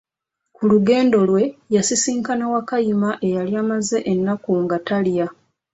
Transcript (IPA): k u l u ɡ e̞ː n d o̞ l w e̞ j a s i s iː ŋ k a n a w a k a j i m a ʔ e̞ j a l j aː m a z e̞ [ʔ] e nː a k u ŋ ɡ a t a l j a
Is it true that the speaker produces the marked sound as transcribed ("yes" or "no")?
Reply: yes